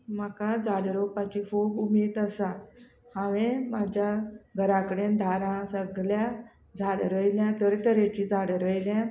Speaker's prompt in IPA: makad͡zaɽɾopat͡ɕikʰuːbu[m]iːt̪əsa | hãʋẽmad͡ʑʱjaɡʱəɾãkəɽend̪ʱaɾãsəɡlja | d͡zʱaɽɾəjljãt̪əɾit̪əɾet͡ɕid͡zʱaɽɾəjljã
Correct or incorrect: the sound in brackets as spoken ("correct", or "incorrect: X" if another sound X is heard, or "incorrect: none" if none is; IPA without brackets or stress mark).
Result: correct